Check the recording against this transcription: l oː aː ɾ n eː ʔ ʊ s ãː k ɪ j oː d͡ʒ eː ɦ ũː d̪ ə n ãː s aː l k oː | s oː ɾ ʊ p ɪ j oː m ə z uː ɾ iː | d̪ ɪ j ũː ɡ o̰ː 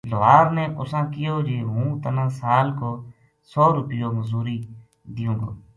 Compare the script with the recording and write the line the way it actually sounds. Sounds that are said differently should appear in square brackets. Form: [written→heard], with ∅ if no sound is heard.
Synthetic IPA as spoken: l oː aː ɾ n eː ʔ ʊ s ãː k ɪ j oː d͡ʒ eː ɦ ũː [d̪→t̪] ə n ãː s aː l k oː | s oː ɾ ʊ p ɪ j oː m ə z uː ɾ iː | d̪ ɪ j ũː ɡ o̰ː